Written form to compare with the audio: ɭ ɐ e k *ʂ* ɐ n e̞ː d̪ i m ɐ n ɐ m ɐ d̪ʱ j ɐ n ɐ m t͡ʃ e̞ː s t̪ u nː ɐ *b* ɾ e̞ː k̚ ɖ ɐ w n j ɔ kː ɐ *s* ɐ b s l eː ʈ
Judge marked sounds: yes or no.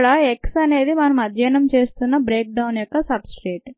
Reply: no, yes, yes

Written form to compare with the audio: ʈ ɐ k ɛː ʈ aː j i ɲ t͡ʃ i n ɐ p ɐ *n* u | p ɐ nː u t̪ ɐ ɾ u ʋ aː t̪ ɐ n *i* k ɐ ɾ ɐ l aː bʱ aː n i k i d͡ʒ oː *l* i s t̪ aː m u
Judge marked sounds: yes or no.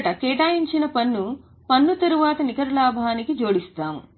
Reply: no, yes, no

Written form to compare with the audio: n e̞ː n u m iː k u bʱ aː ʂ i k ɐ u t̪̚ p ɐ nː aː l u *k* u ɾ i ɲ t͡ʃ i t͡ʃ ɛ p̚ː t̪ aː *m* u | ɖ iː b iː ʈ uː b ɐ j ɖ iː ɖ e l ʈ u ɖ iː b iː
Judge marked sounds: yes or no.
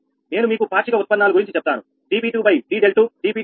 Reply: no, no

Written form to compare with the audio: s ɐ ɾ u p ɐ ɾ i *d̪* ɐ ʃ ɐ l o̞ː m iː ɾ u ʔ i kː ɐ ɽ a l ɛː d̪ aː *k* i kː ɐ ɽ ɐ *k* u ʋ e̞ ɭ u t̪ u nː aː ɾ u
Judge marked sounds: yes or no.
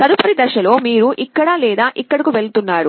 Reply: yes, no, yes

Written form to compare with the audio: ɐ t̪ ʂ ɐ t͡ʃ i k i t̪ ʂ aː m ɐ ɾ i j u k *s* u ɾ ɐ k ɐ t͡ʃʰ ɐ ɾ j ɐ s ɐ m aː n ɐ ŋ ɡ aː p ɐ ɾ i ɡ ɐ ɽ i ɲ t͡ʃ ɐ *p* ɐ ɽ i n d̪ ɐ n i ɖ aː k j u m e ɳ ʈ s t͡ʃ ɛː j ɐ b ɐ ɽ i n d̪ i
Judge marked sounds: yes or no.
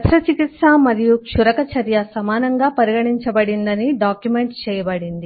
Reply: no, no

